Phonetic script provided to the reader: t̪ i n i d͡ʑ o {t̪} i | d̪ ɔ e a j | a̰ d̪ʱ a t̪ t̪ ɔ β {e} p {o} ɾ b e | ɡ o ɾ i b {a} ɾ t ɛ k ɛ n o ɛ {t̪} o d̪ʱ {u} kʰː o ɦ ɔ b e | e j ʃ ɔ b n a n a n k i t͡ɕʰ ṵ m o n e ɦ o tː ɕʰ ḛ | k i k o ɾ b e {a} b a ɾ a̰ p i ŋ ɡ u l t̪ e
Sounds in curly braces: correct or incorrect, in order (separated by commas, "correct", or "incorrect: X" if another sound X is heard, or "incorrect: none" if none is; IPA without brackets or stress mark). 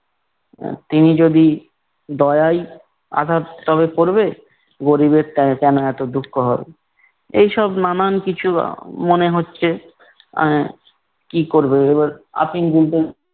incorrect: d̪, correct, correct, incorrect: e, correct, correct, incorrect: e